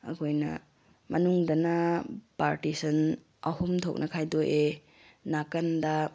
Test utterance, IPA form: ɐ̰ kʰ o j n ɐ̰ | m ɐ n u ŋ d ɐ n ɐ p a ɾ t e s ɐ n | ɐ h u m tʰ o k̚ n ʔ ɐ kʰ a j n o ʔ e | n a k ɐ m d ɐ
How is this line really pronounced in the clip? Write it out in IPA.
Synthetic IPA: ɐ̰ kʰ o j n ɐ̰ | m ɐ n u ŋ d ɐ n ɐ p a ɾ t i s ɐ n | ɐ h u m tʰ o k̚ n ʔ ɐ kʰ a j d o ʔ e | n a k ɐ n d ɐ